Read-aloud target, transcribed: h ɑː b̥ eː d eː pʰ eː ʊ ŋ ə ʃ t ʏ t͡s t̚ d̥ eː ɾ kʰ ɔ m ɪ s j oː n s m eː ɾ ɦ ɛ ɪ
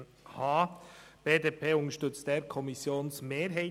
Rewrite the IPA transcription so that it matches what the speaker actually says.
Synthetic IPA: h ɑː b̥ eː d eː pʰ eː ʊ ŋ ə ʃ t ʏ t͡s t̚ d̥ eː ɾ kʰ ɔ m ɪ s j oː n s m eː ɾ ɦ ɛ ɪ